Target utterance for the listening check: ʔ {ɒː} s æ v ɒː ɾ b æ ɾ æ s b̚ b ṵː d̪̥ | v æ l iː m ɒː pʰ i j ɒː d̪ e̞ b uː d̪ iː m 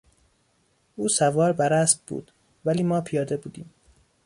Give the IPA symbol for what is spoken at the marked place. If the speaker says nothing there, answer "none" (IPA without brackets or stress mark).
uː